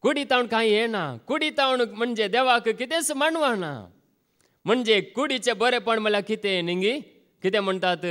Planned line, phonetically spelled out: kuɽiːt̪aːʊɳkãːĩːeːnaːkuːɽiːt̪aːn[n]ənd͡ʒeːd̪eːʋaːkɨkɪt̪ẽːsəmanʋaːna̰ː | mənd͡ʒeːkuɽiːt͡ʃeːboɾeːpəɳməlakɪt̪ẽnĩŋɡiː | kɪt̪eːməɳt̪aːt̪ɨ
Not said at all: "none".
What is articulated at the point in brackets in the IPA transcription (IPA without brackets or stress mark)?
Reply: m